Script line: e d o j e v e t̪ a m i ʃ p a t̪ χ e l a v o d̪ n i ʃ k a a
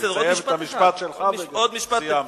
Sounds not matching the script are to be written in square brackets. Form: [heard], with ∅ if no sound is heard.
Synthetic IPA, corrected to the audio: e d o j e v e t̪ a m i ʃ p a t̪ [ʃ] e l a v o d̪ [m] i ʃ [p] a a